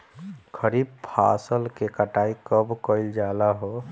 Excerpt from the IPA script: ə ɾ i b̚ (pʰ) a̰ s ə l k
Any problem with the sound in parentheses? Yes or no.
no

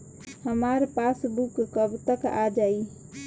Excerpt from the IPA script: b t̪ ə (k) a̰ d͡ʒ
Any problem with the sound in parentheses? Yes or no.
no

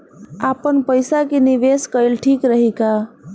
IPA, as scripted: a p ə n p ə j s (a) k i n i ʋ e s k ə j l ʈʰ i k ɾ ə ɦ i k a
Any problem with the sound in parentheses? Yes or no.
no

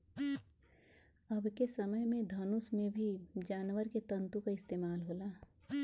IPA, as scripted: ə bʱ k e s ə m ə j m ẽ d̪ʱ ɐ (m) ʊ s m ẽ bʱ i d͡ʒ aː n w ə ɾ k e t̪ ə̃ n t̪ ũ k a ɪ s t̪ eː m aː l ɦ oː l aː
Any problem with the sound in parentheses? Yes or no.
yes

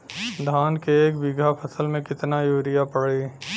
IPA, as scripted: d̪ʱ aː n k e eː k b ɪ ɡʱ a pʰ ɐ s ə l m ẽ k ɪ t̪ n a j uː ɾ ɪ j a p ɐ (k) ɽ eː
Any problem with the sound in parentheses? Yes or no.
yes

